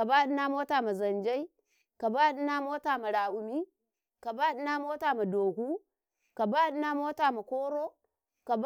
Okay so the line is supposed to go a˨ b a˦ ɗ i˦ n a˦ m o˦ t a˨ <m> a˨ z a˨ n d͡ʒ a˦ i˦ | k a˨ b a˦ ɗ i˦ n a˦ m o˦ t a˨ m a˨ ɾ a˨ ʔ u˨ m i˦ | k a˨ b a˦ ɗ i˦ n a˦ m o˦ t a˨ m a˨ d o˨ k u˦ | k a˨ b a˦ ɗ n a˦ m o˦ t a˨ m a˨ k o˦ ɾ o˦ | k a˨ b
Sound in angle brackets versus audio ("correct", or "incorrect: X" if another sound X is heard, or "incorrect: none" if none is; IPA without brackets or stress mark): correct